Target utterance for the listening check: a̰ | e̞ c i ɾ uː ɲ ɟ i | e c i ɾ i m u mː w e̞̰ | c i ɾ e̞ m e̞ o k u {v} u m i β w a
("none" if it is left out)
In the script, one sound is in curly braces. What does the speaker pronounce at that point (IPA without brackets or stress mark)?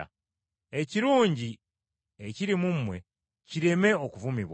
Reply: v